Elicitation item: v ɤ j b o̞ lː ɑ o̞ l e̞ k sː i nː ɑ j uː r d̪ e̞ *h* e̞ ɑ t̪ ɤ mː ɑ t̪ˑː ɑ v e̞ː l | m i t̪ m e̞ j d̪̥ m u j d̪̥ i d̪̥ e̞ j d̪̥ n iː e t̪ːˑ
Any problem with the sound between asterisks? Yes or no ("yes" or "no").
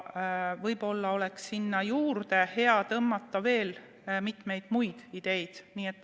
no